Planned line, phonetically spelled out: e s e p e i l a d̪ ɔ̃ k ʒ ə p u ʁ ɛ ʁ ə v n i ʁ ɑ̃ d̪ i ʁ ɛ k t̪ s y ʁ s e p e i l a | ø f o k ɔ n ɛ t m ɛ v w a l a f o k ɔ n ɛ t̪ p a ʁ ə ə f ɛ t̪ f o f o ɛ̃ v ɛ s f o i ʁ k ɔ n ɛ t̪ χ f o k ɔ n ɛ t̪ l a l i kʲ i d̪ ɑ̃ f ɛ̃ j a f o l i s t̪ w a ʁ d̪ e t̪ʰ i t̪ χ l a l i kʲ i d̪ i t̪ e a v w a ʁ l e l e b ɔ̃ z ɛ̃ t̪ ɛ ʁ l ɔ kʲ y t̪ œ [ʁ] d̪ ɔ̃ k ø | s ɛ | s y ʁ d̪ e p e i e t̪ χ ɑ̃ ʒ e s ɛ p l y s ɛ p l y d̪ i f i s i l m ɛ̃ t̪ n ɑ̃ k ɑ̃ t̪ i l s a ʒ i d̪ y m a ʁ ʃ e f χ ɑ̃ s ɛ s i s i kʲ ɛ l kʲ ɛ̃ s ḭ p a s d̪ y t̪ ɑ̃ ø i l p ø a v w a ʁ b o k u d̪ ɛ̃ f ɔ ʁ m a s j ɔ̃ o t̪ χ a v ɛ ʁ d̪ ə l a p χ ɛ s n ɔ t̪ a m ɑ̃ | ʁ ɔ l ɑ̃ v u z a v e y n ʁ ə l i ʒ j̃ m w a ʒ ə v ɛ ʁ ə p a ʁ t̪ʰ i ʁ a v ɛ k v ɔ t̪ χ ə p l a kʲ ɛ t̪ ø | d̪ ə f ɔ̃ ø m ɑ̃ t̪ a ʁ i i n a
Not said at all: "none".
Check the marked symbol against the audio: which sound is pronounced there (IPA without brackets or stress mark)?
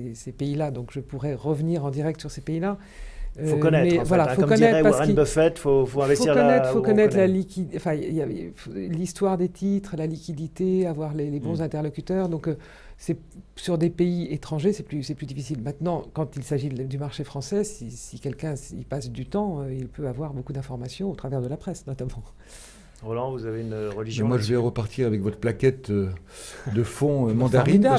ʁ